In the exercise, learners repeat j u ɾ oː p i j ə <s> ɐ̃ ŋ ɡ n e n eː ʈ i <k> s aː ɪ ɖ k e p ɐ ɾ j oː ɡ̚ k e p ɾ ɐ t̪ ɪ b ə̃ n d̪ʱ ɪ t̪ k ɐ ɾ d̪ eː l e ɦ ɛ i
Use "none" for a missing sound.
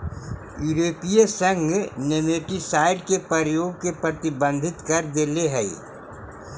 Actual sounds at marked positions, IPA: s, none

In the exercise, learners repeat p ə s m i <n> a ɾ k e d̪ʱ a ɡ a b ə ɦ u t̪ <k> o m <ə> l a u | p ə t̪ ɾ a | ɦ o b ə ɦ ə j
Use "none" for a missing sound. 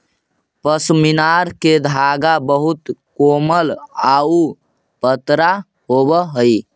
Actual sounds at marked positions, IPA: n, k, ə

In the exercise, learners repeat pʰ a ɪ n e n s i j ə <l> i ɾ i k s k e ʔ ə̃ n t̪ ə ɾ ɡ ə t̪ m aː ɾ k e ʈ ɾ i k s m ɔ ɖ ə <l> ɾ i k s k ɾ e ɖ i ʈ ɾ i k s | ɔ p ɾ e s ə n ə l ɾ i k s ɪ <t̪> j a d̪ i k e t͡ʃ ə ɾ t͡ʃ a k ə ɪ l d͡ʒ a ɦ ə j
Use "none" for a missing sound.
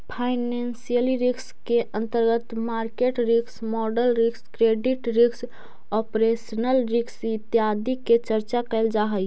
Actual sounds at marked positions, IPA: l, l, t̪

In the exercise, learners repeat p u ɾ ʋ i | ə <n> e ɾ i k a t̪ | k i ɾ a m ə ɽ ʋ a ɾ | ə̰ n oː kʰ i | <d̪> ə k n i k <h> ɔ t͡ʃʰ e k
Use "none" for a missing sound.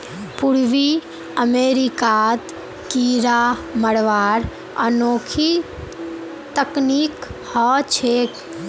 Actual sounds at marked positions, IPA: m, t̪, h

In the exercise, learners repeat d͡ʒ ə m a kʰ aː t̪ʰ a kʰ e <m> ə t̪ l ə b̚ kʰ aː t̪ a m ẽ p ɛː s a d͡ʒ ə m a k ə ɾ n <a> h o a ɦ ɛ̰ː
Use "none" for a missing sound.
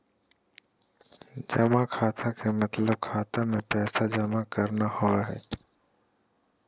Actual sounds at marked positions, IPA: m, a

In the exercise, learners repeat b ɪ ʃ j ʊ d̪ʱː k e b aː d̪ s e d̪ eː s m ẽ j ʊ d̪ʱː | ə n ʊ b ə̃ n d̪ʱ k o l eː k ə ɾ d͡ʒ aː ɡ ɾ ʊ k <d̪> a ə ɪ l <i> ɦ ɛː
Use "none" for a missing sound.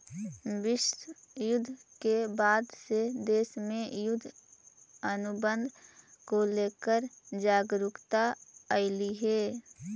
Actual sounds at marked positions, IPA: t̪, i

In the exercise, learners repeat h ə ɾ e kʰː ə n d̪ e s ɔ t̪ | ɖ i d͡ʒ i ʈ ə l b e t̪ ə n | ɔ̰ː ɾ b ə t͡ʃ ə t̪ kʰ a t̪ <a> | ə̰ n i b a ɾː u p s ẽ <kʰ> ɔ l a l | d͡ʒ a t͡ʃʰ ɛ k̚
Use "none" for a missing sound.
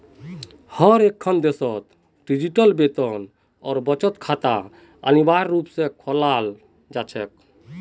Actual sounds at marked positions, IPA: a, kʰ

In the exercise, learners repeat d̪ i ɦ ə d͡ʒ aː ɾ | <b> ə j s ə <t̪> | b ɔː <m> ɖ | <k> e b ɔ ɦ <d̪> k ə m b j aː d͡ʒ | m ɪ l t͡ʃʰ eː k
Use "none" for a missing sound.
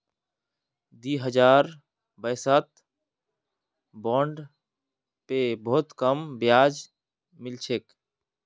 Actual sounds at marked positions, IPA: b, t̪, ɳ, p, t̪

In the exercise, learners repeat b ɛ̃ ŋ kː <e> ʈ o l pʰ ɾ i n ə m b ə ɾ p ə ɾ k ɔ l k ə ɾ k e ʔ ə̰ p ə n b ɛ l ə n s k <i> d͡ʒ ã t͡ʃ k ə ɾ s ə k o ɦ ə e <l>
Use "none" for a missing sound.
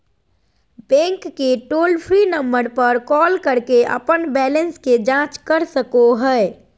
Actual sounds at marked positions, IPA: e, e, none

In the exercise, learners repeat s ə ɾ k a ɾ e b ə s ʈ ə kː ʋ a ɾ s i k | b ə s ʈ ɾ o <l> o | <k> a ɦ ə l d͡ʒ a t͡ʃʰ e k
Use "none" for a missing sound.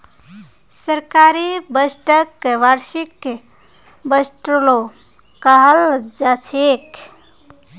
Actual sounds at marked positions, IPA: l, k

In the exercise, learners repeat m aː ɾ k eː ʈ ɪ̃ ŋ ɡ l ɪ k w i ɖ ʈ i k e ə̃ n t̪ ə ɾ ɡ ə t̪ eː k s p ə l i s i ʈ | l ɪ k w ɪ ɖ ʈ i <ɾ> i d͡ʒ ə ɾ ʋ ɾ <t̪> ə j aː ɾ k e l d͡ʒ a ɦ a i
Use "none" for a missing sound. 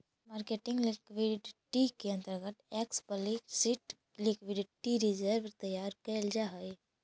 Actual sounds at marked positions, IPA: ɾ, t̪

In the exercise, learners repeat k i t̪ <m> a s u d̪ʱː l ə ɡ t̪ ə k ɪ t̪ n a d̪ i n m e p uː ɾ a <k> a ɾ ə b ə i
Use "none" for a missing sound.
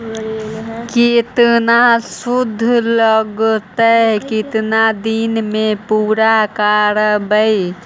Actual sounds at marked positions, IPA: n, k

